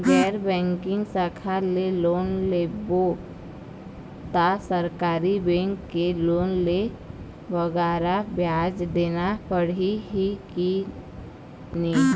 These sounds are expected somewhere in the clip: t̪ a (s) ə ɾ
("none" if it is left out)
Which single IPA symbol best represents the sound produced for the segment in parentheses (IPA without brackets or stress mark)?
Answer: s